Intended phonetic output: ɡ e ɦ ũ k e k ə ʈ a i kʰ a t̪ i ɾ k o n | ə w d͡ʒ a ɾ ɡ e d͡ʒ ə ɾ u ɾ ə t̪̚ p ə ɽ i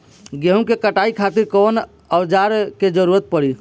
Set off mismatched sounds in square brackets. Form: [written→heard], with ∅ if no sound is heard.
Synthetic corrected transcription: ɡ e ɦ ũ k e k ə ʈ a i kʰ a t̪ i ɾ k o n | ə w d͡ʒ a ɾ [ɡ→k] e d͡ʒ ə ɾ u ɾ ə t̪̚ p ə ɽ i